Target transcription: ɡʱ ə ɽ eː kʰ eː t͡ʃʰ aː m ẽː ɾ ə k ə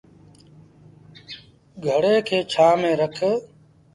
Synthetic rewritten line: ɡʱ ə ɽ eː kʰ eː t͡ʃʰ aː m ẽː ɾ ə kʰ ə